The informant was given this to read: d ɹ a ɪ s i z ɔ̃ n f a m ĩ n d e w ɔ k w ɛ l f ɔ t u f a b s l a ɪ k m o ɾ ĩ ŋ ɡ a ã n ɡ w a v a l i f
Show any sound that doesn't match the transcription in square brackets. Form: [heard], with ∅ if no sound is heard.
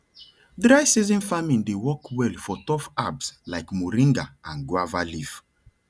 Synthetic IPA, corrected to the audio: d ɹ a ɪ s i z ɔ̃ n f a m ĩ n d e w ɔ k w ɛ l f ɔ t [ɔ] f a b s l a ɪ k m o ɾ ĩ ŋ ɡ a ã n ɡ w a v a l i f